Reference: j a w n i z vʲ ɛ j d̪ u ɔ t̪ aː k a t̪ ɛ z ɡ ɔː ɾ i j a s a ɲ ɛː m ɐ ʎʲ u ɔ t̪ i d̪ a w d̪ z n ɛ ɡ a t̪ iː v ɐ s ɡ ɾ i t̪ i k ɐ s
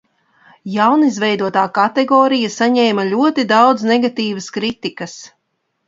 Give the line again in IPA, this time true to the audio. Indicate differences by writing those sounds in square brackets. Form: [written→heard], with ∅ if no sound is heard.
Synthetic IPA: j a w n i z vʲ ɛ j d̪ u ɔ t̪ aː k a t̪ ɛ [z→∅] ɡ ɔː ɾ i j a s a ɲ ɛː m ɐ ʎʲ u ɔ t̪ i d̪ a w d̪ z n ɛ ɡ a t̪ iː v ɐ s [ɡ→k] ɾ i t̪ i k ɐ s